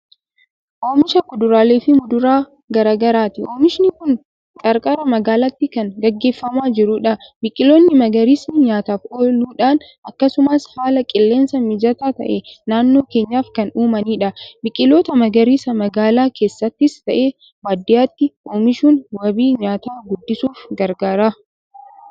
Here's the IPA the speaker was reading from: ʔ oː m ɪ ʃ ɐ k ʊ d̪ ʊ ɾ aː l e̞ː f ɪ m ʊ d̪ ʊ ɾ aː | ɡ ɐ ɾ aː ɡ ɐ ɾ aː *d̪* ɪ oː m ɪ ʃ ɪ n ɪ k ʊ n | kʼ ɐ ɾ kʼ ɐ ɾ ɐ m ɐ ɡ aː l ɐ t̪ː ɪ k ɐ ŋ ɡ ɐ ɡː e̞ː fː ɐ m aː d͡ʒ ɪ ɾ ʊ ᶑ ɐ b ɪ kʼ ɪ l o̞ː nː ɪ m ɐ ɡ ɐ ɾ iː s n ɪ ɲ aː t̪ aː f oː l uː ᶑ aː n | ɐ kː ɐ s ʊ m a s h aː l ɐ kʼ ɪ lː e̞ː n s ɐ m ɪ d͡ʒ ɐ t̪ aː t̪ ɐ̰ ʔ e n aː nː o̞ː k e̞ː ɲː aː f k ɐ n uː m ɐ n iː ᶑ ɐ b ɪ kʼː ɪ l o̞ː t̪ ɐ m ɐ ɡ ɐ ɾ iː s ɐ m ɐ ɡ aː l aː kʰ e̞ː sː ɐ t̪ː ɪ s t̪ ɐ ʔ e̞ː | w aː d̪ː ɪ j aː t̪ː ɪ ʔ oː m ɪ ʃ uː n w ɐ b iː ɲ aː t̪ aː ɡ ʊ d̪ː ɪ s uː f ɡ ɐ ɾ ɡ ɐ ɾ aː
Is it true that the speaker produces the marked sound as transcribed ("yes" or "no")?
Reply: no